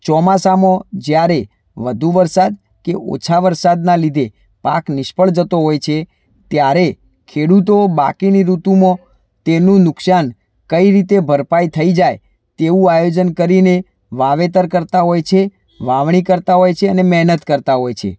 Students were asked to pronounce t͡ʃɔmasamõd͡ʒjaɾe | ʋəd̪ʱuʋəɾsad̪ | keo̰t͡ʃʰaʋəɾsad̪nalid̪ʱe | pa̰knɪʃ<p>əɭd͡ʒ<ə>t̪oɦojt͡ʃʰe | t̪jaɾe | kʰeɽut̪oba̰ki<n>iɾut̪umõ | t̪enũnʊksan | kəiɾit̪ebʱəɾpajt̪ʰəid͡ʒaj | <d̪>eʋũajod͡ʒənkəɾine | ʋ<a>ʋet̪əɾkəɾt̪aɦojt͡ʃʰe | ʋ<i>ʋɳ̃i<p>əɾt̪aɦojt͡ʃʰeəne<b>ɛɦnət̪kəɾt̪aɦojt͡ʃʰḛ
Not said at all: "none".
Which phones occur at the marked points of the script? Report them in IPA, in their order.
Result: p, ə, n, t̪, a, a, k, m

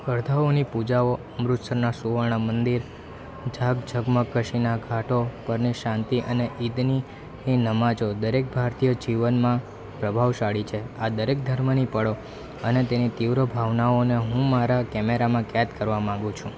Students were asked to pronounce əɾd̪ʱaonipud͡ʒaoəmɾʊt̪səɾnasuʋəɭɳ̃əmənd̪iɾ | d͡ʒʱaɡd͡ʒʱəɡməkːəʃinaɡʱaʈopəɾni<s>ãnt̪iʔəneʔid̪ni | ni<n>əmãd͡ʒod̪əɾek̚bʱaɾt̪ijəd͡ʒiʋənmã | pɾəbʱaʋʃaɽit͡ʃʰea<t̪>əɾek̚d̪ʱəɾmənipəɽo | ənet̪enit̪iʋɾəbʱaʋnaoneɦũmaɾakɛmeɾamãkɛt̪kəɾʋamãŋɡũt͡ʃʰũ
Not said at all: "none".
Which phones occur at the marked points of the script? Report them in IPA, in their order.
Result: ʃ, n, d̪

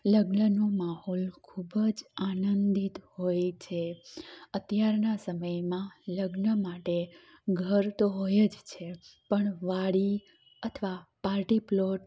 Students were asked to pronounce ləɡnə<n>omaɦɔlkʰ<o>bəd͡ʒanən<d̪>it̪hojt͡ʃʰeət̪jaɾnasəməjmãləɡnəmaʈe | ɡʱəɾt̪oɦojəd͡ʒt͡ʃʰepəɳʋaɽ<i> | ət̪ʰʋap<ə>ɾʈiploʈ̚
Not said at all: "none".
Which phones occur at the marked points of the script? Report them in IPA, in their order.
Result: n, u, d̪, i, a

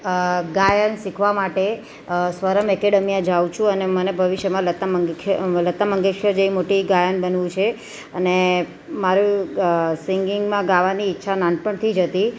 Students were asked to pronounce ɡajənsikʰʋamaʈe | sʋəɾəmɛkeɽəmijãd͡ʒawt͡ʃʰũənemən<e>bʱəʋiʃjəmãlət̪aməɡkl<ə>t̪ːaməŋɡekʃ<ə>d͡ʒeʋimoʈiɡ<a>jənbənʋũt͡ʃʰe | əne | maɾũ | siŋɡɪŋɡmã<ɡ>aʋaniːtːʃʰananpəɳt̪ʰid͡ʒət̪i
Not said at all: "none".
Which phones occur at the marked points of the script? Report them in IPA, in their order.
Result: e, ə, ə, a, ɡ

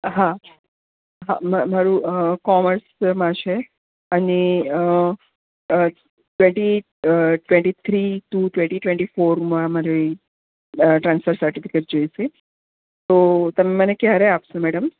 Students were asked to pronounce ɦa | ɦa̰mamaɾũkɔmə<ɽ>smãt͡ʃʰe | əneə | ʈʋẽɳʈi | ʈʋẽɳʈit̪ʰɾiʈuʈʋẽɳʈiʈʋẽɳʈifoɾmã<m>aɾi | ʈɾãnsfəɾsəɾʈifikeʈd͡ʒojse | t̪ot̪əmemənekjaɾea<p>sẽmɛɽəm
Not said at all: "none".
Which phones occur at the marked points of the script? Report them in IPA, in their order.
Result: ɾ, m, p

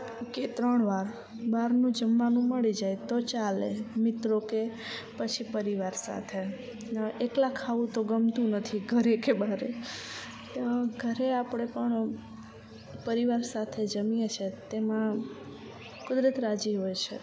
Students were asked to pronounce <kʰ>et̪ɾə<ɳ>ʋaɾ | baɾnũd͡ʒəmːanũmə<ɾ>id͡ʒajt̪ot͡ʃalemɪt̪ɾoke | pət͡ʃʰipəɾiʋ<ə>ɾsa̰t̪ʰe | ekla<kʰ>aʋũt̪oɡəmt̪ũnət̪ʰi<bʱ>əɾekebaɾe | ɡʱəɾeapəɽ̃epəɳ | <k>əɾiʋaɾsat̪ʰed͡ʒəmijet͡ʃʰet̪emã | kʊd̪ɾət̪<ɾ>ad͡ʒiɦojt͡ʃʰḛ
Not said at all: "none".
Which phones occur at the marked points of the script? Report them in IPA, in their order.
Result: k, ɳ, ɭ, a, kʰ, ɡʱ, p, ɾ

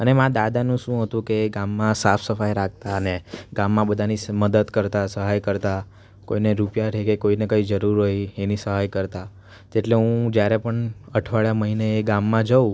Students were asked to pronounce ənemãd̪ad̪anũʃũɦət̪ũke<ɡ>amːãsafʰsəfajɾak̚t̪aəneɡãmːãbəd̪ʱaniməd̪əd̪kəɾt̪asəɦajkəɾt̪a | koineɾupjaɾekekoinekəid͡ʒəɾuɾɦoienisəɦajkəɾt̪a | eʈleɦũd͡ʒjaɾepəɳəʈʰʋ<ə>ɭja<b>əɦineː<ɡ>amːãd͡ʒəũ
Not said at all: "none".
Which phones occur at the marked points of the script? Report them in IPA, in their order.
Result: ɡ, a, m, ɡ

